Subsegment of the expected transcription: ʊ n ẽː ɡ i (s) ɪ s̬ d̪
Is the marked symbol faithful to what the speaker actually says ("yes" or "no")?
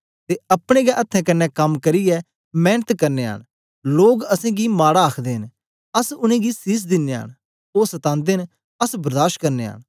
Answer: yes